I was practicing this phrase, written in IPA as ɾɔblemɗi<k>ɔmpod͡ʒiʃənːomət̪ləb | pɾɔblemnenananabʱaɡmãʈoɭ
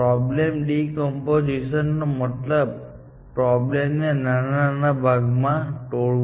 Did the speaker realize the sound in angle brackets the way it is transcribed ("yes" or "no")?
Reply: yes